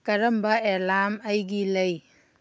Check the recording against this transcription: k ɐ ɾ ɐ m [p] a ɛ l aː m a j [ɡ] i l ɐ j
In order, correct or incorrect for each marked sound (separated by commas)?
incorrect, correct